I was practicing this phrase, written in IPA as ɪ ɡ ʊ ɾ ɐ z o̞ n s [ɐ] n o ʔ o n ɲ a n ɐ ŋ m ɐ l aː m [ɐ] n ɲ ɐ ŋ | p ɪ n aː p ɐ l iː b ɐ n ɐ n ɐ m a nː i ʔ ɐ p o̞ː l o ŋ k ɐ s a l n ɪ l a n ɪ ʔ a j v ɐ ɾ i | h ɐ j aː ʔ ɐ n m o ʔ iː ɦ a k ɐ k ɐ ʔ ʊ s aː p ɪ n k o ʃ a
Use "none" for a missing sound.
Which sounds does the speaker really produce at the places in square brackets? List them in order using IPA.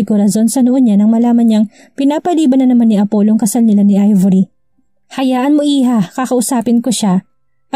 ɐ, ɐ

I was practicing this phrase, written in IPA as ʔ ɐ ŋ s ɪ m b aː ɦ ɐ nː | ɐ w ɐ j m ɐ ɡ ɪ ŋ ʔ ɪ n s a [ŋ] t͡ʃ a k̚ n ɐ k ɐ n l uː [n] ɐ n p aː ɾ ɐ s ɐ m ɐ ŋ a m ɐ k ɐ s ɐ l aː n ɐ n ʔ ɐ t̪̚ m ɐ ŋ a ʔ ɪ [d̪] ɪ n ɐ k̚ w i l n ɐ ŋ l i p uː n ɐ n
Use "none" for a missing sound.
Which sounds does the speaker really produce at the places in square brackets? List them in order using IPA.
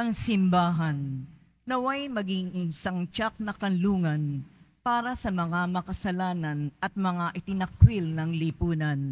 ŋ, ŋ, t̪

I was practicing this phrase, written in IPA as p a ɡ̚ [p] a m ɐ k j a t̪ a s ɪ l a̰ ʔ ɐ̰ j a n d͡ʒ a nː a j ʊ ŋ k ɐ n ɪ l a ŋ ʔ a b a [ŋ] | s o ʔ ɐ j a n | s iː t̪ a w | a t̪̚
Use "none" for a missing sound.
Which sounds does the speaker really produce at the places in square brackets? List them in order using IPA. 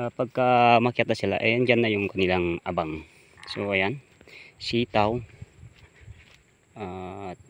k, ŋ

